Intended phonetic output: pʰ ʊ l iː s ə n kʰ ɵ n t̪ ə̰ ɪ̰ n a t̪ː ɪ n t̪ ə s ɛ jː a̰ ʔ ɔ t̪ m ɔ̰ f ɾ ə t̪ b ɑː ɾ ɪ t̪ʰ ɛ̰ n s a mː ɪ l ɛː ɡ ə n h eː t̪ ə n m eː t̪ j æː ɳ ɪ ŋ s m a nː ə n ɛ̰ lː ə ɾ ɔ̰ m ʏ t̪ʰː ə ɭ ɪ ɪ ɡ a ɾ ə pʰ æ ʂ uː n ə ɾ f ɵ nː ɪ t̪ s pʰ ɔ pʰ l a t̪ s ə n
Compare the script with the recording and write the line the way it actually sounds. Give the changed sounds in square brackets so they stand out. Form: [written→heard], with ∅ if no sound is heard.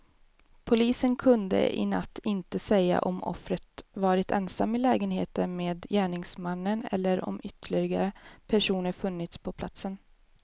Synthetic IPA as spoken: pʰ ʊ l iː s ə n kʰ ɵ n [t̪→d̪] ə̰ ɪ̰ n a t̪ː ɪ n t̪ ə s ɛ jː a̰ ʔ ɔ [t̪→∅] m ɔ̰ f ɾ ə t̪ [b→v] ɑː ɾ ɪ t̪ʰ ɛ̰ n s a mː ɪ l ɛː ɡ ə n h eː t̪ ə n m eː [t̪→d̪] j æː ɳ ɪ ŋ s m a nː ə n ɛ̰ lː ə ɾ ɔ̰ m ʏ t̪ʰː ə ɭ ɪ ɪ ɡ a ɾ ə pʰ æ ʂ uː n ə ɾ f ɵ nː ɪ t̪ s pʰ ɔ pʰ l a t̪ s ə n